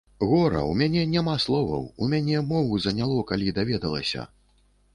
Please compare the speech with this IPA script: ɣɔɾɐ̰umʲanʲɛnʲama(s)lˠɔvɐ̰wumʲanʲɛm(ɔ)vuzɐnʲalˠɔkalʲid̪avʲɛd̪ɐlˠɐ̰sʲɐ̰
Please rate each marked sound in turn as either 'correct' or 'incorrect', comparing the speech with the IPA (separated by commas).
correct, correct